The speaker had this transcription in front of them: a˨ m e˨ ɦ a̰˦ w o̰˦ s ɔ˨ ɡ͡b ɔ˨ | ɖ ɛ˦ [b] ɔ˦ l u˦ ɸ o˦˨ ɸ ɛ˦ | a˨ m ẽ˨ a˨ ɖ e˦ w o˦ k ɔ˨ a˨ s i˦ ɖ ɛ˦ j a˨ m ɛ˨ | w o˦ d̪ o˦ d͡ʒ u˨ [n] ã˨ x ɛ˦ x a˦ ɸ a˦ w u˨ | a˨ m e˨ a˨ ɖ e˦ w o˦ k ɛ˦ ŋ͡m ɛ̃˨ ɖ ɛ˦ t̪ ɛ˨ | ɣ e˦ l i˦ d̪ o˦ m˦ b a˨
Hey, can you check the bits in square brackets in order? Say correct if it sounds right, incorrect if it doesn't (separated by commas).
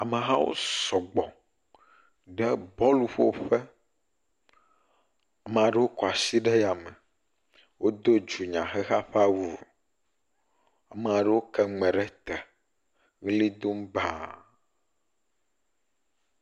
correct, incorrect